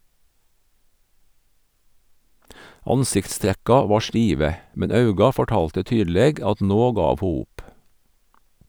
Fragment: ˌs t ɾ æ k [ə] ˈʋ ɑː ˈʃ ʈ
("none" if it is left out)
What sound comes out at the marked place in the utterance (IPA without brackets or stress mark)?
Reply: ɑ